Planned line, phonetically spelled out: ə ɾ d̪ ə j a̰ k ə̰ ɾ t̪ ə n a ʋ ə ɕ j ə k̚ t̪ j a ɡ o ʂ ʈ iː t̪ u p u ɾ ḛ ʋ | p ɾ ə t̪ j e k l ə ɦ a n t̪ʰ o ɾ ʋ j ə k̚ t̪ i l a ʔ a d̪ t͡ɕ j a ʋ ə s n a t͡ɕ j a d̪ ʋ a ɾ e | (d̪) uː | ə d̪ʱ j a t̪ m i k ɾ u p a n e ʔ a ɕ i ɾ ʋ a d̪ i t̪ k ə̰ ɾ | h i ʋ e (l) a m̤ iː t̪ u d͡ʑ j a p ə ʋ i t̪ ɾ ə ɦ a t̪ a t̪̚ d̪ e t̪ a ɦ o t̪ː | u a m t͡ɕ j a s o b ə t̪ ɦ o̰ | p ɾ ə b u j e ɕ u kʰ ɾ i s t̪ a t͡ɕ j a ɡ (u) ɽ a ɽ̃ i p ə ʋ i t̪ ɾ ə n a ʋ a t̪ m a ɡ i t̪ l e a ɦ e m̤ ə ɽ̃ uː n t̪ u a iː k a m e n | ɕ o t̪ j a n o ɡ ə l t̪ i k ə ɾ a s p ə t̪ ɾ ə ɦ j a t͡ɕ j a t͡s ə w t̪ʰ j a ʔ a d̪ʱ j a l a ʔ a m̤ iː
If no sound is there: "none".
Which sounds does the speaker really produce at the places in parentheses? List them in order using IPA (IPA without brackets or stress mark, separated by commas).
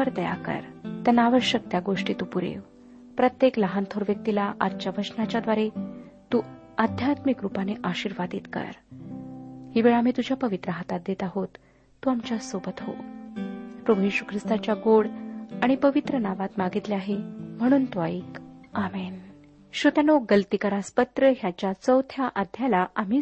t̪, ɭ, o